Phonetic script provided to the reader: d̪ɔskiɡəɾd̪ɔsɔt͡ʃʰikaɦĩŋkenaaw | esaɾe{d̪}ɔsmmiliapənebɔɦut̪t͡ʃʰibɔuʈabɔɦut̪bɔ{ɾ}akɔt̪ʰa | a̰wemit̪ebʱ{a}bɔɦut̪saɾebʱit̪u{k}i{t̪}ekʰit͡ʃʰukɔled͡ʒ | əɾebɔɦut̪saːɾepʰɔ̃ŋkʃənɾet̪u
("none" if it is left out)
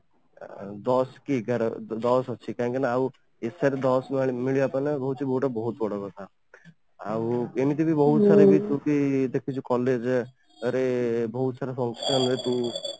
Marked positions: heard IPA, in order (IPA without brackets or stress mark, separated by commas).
d̪, ɽ, i, k, d̪